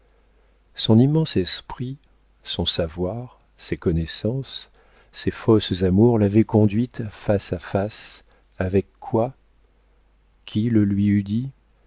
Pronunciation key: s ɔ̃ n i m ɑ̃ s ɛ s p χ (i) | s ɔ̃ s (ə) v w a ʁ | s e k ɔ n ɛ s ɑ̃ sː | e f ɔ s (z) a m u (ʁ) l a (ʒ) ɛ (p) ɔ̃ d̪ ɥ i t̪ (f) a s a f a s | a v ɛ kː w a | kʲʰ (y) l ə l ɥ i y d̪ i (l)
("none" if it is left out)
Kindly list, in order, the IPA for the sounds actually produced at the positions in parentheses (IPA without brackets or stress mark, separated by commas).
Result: i, a, z, ʁ, v, k, f, i, none